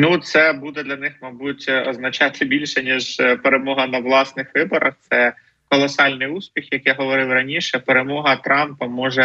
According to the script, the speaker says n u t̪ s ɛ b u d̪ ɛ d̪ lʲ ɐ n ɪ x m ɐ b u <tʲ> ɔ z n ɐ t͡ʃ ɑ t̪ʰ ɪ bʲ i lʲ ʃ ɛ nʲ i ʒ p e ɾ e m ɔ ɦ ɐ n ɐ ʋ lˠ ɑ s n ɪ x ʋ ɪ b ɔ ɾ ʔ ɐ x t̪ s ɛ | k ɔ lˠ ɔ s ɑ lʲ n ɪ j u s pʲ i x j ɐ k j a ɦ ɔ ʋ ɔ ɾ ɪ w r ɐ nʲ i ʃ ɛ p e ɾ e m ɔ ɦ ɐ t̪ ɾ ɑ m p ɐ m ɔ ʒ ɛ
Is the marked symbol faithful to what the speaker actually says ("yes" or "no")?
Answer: yes